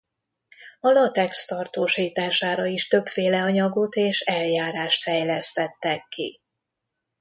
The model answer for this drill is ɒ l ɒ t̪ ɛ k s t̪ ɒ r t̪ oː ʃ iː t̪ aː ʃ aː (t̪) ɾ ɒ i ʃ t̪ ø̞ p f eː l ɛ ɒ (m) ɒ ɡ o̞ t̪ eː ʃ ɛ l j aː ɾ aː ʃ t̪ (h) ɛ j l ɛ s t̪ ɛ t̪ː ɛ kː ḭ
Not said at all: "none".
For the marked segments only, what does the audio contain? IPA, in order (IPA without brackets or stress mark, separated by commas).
none, ɲ, f